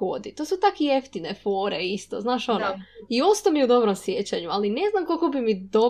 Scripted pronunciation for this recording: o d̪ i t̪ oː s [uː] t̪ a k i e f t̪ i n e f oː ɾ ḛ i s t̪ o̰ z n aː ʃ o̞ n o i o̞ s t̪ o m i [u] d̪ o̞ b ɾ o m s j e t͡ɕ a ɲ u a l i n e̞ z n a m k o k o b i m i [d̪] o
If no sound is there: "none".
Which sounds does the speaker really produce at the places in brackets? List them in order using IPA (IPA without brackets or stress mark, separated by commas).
u, u, d̪